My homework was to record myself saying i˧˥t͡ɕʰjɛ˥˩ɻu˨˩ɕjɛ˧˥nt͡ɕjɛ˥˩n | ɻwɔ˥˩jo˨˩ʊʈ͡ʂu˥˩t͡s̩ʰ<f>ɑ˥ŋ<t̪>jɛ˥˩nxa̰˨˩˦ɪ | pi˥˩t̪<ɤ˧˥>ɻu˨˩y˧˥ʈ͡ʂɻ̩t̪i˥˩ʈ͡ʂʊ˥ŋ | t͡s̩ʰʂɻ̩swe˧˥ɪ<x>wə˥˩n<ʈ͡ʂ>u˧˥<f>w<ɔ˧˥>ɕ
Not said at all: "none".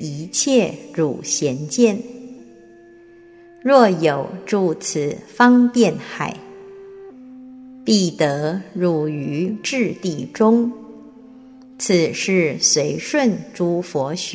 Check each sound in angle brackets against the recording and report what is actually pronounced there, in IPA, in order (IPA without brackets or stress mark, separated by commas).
f, t̪, ɤ˧˥, ʂ, ʈ͡ʂ, f, ɔ˧˥